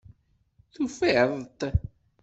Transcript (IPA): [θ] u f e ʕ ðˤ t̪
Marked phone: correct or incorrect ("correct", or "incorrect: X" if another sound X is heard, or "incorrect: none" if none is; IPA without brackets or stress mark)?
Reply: correct